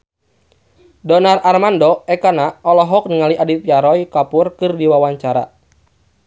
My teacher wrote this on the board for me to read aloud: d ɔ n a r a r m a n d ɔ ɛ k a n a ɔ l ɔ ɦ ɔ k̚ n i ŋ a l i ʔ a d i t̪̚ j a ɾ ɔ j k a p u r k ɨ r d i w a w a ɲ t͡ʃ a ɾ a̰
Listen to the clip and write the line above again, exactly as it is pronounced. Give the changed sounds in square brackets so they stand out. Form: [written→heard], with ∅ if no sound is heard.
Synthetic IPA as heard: d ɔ n a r a r m a n d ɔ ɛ k a n a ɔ l ɔ ɦ ɔ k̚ n i ŋ a l i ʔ a d i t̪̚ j a ɾ ɔ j k a p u r k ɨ r d i w a w a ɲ t͡ʃ a ɾ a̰